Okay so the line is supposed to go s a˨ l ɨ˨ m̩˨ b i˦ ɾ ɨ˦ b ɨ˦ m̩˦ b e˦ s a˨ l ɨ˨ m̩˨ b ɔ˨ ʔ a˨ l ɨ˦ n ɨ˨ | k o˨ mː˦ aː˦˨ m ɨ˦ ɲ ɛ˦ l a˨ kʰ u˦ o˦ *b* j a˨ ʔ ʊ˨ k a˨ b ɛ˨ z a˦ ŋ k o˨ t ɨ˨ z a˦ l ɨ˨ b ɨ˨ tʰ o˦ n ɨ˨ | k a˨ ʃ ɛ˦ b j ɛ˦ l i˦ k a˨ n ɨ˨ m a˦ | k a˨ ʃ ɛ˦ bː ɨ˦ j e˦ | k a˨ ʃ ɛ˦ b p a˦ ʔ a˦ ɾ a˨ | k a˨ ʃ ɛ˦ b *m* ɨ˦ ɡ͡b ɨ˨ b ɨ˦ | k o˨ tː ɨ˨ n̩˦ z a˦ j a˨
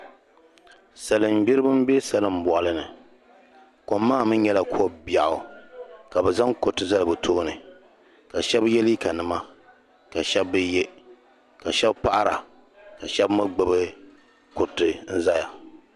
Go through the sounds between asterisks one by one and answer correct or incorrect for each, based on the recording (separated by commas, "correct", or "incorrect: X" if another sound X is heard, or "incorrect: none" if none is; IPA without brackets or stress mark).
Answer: correct, correct